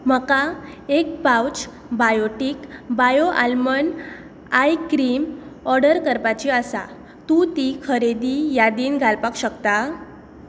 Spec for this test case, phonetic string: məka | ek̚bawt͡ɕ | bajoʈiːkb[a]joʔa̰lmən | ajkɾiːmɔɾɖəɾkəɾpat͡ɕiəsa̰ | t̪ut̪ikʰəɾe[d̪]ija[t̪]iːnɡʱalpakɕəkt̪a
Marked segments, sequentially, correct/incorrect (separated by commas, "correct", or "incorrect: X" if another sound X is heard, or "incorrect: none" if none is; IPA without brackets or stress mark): correct, correct, incorrect: d̪